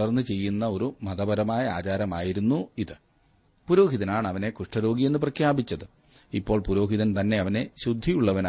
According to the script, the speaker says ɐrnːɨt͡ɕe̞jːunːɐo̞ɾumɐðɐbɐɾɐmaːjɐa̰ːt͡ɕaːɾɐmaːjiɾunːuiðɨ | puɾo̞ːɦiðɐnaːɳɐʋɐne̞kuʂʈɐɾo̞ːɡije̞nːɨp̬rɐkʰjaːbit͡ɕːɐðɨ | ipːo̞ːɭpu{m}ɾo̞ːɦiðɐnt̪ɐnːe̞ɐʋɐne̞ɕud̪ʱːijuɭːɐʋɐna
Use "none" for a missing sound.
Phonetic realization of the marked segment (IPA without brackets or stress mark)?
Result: none